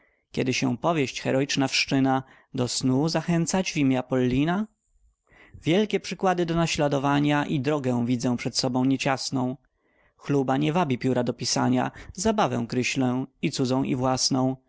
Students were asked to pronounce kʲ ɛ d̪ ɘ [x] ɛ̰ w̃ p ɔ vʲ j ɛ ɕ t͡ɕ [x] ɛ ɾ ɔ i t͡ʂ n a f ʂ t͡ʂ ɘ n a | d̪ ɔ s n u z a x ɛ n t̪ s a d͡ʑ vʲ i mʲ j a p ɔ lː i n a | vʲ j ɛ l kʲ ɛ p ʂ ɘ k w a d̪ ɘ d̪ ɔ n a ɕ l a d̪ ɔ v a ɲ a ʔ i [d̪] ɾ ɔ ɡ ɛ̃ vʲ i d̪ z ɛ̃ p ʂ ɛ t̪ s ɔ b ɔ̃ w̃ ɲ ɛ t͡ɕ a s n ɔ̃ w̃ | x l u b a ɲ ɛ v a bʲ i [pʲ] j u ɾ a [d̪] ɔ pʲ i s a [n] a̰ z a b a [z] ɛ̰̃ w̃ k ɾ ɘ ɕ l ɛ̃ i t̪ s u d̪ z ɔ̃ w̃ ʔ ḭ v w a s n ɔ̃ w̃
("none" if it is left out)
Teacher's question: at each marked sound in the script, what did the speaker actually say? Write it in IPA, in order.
ɕ, x, d̪, pʲ, d̪, ɲ, v

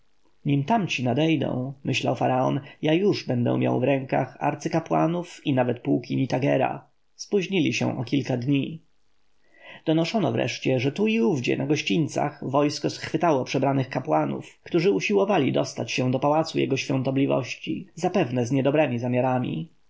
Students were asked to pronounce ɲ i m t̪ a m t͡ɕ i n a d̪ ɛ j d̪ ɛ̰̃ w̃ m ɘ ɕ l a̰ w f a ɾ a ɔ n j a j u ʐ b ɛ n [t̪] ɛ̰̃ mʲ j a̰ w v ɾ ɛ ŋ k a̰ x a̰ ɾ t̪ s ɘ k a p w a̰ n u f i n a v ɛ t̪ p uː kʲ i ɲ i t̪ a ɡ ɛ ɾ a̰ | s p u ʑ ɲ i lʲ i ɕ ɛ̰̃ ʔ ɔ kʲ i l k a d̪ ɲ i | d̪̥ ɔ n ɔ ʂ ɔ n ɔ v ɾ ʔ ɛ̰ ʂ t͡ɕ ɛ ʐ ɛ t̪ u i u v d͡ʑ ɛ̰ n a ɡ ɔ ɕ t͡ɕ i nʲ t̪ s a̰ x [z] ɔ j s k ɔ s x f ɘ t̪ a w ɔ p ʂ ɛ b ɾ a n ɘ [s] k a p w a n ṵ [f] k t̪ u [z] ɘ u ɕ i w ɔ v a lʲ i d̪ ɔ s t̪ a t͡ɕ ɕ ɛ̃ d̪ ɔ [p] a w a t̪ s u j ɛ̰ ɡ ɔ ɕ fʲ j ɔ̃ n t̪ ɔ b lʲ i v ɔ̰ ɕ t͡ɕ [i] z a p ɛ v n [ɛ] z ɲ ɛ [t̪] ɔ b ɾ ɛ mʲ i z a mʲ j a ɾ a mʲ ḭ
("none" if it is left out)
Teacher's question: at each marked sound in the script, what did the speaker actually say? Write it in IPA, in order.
d̪, v, x, f, ʐ, p, i, ɛ, d̪

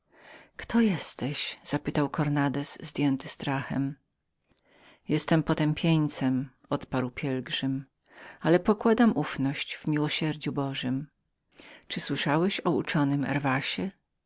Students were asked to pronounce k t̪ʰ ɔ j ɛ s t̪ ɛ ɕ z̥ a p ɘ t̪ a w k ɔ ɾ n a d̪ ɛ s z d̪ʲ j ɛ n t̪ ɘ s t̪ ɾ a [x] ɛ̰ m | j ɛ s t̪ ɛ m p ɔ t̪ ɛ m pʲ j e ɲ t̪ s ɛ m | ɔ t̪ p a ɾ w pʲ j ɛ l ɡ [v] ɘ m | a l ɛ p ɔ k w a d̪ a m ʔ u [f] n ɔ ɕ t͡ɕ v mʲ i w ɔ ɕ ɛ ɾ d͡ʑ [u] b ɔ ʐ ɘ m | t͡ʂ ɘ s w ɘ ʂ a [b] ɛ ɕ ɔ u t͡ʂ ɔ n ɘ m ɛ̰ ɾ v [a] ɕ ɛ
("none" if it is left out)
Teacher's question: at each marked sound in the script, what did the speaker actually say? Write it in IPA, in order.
x, ʐ, f, u, w, a

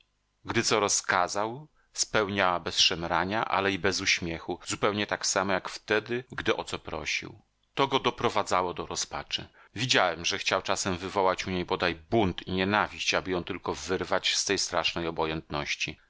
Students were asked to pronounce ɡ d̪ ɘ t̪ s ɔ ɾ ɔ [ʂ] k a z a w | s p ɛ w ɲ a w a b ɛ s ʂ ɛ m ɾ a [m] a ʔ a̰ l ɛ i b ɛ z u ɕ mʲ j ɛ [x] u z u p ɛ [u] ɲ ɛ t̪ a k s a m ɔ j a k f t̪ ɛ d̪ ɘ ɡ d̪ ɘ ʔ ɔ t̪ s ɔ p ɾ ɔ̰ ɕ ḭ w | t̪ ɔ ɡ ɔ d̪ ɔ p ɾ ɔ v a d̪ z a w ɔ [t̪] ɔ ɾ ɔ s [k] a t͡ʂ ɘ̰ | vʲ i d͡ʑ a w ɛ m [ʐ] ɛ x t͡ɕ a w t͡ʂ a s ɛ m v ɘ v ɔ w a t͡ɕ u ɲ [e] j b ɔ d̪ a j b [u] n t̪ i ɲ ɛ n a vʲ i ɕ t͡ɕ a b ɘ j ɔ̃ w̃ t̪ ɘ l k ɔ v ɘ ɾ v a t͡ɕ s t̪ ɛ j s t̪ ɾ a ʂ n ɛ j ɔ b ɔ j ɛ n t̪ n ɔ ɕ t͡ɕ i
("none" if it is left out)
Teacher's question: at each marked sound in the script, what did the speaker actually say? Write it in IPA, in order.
s, ɲ, x, w, d̪, p, ʐ, e, u

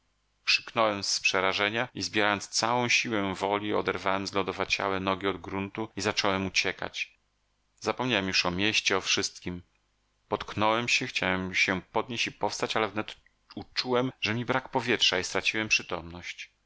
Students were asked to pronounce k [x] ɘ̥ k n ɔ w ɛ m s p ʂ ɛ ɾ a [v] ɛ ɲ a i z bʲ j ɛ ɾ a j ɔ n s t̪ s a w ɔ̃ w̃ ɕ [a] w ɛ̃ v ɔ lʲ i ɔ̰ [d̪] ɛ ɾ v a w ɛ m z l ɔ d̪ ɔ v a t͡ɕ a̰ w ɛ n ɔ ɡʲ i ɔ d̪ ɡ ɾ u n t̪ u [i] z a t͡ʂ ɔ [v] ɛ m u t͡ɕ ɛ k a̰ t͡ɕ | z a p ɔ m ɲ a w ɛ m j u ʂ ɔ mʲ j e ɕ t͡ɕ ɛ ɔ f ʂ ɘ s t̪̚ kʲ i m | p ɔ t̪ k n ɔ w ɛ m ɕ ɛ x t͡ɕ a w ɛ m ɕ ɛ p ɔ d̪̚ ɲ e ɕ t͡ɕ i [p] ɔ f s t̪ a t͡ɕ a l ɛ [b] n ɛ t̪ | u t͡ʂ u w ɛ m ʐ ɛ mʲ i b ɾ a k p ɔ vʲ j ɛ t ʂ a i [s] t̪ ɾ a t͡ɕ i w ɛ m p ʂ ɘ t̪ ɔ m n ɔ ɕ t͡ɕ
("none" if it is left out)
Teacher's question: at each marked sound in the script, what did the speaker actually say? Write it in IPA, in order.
ʂ, ʐ, i, d̪, i, w, p, v, s

